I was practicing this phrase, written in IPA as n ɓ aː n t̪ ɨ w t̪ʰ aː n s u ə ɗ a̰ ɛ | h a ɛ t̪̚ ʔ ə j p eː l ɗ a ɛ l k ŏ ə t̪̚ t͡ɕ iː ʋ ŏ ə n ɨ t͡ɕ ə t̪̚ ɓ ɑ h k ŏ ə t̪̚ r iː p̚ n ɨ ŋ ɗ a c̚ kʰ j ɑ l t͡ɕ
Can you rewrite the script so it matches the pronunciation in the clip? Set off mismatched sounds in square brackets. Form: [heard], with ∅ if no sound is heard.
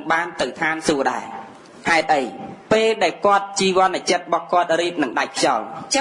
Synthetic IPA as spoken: [ŋ] ɓ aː n t̪ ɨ w t̪ʰ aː n s u ə ɗ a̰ ɛ | h a ɛ t̪̚ ʔ ə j p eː l ɗ a ɛ l k ŏ ə t̪̚ t͡ɕ iː ʋ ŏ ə n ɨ t͡ɕ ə t̪̚ ɓ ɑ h k ŏ ə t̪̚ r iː p̚ n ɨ ŋ ɗ a c̚ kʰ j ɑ l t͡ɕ